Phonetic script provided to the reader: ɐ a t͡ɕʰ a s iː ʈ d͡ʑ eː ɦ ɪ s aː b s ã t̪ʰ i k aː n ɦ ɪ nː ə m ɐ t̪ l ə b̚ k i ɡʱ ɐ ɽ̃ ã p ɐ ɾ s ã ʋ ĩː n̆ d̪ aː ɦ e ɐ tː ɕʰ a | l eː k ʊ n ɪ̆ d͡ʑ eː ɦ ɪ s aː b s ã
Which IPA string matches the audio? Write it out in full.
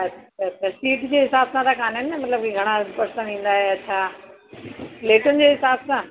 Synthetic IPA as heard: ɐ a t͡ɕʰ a s iː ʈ d͡ʑ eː ɦ ɪ s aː b s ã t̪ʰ a k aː n ɦ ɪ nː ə m ɐ t̪ l ə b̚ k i ɡʱ ɐ ɽ̃ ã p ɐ ɾ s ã ʋ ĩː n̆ d̪ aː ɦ e ɐ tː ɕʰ a | l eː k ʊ n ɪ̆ d͡ʑ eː ɦ ɪ s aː b s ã